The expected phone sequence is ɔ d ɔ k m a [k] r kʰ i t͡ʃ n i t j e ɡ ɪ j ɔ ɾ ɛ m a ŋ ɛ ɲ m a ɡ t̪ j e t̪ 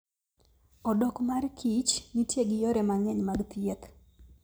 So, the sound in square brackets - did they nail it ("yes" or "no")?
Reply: no